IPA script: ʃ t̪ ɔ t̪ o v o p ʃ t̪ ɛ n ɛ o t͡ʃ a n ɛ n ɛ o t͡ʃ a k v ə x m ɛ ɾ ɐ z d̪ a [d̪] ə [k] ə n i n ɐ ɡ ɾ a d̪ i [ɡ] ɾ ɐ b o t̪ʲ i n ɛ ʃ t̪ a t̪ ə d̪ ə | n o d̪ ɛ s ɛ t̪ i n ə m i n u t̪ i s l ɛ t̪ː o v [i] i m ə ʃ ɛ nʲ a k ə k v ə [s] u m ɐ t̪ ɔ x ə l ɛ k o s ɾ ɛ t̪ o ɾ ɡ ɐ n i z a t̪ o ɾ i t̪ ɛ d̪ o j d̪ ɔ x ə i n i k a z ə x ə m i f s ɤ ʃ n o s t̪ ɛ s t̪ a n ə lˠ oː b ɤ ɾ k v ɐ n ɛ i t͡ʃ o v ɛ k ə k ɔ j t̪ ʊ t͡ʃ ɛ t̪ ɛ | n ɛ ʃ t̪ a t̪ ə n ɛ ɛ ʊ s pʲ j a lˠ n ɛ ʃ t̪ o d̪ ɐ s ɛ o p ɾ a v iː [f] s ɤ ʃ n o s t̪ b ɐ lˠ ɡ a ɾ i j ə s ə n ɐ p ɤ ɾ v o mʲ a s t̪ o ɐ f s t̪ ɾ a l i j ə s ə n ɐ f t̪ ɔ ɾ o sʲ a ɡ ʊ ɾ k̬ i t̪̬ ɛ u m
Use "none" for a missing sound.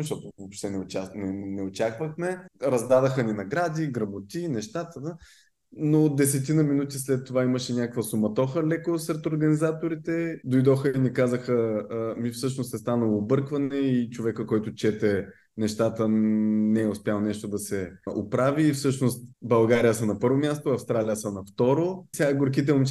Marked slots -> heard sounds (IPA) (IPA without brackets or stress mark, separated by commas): d̪, x, ɡ, a, s, f